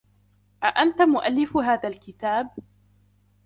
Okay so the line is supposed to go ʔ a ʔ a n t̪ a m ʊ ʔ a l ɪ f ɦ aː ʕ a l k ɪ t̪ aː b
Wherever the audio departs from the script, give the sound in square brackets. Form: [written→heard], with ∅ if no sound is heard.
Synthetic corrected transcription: ʔ a ʔ a n t̪ a m ʊ ʔ a [l→lː] ɪ f ɦ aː [ʕ→ð] a l k ɪ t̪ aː b